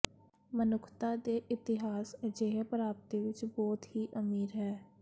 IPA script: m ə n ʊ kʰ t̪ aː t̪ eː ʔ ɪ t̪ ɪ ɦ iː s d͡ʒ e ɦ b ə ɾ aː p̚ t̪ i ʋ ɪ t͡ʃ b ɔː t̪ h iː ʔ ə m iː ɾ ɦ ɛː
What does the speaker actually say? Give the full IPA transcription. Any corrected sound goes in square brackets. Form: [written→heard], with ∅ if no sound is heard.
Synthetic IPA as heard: m ə n ʊ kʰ t̪ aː [t̪→d̪] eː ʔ ɪ t̪ ɪ ɦ [iː→aː] s d͡ʒ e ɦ [b→p] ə ɾ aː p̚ t̪ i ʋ ɪ t͡ʃ b ɔː t̪ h iː ʔ ə m iː ɾ ɦ ɛː